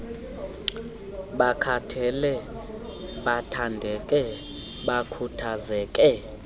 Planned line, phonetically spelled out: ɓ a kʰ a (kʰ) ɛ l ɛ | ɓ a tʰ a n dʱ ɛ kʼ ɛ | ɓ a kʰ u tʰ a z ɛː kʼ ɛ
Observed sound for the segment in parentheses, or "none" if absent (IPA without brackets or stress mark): tʰ